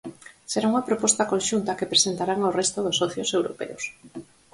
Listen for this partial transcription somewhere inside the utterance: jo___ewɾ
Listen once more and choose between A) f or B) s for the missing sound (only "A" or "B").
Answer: B